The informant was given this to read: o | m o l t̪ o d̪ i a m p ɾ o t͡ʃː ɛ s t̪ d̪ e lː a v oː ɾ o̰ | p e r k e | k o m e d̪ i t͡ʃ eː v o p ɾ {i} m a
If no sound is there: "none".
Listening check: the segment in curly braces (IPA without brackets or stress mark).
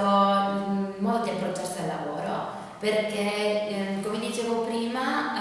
iː